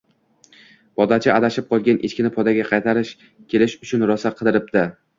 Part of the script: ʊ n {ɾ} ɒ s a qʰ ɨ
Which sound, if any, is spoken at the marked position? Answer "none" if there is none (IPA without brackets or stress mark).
ɾ